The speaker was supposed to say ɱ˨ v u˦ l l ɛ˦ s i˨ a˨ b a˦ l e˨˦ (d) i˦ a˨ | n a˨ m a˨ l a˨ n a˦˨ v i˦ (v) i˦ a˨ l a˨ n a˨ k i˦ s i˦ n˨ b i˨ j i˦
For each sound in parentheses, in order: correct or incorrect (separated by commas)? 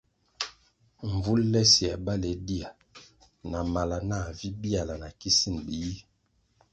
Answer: correct, incorrect